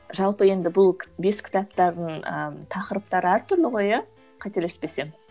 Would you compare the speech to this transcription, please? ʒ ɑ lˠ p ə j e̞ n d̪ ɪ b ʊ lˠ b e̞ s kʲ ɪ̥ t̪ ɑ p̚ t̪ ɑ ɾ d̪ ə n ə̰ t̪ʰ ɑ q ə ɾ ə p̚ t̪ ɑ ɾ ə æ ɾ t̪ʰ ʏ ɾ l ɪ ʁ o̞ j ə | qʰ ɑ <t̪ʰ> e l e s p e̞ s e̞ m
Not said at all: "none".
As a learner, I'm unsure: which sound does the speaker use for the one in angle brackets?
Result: t̪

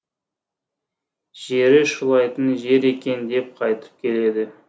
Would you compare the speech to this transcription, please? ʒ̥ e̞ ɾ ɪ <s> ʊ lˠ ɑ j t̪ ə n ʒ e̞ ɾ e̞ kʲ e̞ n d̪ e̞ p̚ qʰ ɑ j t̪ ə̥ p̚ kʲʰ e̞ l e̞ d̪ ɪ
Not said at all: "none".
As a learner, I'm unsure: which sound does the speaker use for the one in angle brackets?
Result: ʃ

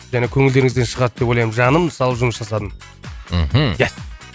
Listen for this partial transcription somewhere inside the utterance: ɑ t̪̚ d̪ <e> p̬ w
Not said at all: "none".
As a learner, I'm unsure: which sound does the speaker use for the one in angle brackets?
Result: e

